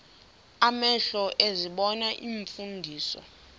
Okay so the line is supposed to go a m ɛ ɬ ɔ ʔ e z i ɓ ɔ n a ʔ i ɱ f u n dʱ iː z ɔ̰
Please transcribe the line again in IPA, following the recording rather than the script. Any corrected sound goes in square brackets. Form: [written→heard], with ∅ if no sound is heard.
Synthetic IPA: a m ɛ ɬ ɔ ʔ e z i ɓ ɔ n a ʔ i ɱ f u n dʱ iː [z→s] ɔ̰